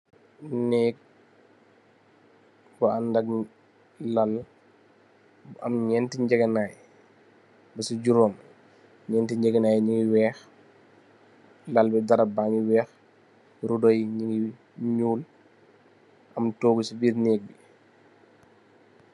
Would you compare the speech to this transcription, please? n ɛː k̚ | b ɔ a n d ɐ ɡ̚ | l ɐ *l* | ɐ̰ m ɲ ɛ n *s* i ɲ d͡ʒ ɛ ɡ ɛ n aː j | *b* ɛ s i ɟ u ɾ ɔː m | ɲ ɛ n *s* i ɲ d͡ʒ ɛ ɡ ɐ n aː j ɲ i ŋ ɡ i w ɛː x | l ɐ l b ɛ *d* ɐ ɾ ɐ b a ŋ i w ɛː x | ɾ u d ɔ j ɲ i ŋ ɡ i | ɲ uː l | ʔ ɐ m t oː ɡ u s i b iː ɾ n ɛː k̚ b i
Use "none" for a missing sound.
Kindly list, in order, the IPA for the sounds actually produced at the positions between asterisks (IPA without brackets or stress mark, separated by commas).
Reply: l, t, b, t, d